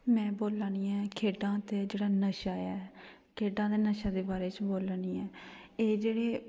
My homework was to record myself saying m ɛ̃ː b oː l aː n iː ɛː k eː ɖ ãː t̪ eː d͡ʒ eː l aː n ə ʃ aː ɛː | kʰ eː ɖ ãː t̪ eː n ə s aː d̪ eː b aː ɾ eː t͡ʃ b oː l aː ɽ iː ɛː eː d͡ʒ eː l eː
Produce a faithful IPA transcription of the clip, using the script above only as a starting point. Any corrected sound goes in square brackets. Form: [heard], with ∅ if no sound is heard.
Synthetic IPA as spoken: m ɛ̃ː b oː l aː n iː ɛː [kʰ] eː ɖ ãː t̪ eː d͡ʒ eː [ɽ] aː n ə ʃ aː ɛː | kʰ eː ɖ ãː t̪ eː n ə [ʃ] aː d̪ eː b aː ɾ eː t͡ʃ b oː l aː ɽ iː ɛː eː d͡ʒ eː [ɽ] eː

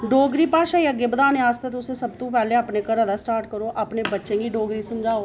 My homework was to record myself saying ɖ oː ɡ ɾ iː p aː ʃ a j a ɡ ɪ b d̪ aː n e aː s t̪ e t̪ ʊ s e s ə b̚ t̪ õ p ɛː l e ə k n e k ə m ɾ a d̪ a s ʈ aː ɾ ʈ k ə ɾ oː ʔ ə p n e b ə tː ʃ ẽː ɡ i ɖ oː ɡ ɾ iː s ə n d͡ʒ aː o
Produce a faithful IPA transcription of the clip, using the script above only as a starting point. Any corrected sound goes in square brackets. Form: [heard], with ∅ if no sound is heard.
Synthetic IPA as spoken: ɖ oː ɡ ɾ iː p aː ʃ a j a ɡ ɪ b d̪ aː n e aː s t̪ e t̪ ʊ s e s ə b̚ t̪ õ p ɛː l e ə [p] n e k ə [∅] ɾ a d̪ a s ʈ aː ɾ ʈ k ə ɾ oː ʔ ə p n e b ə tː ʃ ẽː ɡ i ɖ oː ɡ ɾ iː s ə [m] d͡ʒ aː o

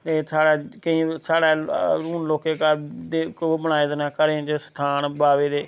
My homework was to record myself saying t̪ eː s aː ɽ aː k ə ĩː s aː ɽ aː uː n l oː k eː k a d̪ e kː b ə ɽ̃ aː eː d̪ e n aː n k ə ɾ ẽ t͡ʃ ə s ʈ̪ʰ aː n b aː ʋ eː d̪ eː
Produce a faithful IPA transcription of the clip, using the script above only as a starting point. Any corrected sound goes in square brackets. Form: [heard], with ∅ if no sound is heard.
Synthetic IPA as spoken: t̪ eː s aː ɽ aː k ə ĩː s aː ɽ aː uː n l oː k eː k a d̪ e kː b ə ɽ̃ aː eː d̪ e n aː [∅] k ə ɾ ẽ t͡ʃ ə s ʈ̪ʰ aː n b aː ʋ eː d̪ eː

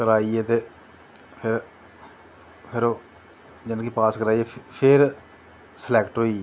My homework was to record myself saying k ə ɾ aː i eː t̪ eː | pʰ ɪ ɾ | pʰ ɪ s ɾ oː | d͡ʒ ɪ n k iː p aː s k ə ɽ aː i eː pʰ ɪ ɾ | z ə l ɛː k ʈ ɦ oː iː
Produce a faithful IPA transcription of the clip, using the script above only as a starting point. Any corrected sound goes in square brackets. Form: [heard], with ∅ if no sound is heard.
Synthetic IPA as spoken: k ə ɾ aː i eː t̪ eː | pʰ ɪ ɾ | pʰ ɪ [∅] ɾ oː | d͡ʒ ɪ n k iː p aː s k ə [ɾ] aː i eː pʰ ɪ ɾ | [s] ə l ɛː k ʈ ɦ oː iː

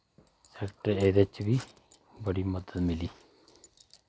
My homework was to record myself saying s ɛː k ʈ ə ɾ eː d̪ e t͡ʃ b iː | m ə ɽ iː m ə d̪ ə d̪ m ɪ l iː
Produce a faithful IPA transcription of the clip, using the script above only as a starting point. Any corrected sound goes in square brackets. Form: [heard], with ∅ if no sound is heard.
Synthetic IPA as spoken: s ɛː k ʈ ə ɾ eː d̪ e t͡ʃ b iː | [b] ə ɽ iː m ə d̪ ə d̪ m ɪ l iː

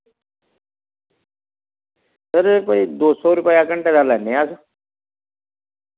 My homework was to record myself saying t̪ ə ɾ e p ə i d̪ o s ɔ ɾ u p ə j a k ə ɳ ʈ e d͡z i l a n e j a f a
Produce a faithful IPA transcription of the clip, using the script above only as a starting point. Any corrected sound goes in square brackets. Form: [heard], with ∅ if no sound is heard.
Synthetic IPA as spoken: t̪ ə ɾ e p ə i d̪ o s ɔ ɾ u p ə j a k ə ɳ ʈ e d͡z [a] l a n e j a [s] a

